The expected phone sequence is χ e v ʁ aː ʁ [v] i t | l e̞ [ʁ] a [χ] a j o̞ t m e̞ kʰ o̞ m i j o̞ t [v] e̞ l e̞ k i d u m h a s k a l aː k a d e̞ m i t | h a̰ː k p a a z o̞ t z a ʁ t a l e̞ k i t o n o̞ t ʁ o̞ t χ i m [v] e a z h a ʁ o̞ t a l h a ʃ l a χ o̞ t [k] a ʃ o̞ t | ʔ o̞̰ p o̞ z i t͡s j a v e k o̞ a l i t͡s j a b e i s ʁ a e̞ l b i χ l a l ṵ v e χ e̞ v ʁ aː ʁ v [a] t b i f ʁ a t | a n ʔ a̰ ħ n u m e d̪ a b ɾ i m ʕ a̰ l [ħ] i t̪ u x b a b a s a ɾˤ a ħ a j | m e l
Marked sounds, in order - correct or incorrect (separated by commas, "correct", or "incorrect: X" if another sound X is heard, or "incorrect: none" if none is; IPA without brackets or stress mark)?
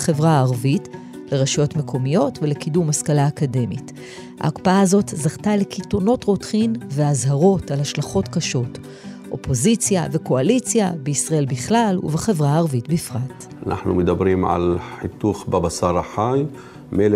correct, correct, incorrect: ʃ, correct, correct, correct, incorrect: i, correct